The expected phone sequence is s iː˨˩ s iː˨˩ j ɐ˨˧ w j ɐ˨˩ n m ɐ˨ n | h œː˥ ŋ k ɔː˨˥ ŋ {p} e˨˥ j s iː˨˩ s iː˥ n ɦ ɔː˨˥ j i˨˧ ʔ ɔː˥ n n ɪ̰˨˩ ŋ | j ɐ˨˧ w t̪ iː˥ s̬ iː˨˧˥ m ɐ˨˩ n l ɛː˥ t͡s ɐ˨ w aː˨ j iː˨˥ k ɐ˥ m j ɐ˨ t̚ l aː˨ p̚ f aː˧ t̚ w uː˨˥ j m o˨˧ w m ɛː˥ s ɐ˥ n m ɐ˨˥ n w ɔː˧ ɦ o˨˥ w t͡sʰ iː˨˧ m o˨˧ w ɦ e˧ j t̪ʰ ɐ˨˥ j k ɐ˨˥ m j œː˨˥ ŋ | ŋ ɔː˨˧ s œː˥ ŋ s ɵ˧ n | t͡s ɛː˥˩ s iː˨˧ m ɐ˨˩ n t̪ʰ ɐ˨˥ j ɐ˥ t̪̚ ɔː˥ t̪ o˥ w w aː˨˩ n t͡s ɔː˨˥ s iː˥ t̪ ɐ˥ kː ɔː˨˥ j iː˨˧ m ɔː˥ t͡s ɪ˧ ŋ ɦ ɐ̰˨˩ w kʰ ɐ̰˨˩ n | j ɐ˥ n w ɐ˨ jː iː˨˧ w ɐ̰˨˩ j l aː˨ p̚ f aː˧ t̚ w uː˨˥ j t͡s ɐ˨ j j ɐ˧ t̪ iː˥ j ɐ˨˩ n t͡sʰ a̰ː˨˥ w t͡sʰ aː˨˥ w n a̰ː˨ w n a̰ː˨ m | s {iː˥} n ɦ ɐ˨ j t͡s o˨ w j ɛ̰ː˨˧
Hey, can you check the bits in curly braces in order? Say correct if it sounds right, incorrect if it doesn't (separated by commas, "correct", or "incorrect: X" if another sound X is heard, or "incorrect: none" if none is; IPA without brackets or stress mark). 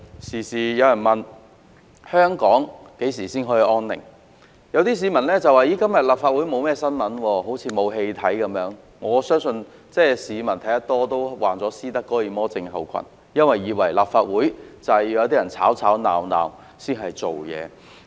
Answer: incorrect: k, correct